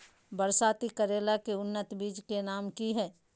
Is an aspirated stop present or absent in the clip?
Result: absent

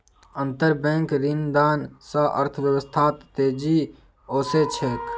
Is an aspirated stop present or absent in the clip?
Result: present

